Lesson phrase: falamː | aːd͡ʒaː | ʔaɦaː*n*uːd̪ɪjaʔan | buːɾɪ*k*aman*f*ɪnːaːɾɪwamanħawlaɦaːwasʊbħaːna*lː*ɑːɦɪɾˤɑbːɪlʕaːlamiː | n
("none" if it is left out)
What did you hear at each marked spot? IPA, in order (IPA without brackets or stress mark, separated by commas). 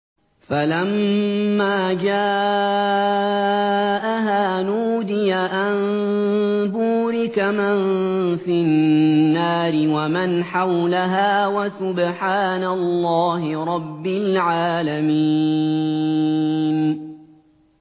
n, k, f, lː